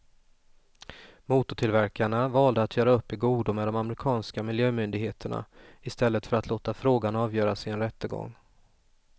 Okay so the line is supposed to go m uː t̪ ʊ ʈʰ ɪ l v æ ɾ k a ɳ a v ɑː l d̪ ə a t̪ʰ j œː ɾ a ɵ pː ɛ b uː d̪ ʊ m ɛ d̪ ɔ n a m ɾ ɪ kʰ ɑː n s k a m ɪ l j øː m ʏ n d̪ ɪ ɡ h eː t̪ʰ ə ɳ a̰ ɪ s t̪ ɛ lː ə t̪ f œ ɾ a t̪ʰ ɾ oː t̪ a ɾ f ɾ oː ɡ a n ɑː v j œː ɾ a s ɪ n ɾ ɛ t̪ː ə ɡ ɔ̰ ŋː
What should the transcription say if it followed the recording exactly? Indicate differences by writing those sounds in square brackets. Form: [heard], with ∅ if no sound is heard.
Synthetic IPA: m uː t̪ ʊ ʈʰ ɪ l v æ ɾ k a ɳ a v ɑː l d̪ ə a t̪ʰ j œː ɾ a ɵ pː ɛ [ɡ] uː d̪ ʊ m ɛ d̪ ɔ [m] a m ɾ ɪ kʰ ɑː n s k a m ɪ l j øː m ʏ n d̪ ɪ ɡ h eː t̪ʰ ə ɳ a̰ ɪ s t̪ ɛ lː ə t̪ f œ ɾ a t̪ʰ [l] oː t̪ a [∅] f ɾ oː ɡ a n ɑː v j œː ɾ a s ɪ n ɾ ɛ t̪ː ə ɡ ɔ̰ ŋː